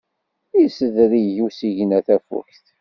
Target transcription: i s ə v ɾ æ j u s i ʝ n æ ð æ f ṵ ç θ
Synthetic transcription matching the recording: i s ə ð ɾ i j u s i ʝ n æ θ æ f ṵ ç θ